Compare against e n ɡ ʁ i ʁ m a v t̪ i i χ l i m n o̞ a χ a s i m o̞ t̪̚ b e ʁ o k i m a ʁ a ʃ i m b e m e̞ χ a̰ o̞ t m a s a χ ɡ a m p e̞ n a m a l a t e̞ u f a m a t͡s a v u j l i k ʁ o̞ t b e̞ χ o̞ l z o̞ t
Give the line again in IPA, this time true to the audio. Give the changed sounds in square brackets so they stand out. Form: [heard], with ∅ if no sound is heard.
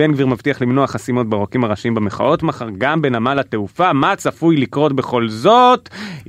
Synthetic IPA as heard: e n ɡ [v] i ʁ m a v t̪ i [a] χ l i m n o̞ a χ a s i m o̞ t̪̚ b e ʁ o k i m a ʁ a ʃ i m b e m e̞ χ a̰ o̞ t m a [χ] a [ʁ] ɡ a m [b] e̞ n a m a l a t e̞ u f a m a t͡s a [f] u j l i k ʁ o̞ t b e̞ χ o̞ l z o̞ t